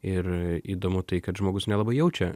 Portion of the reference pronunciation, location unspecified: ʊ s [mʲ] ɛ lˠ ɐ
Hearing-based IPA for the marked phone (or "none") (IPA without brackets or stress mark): nʲ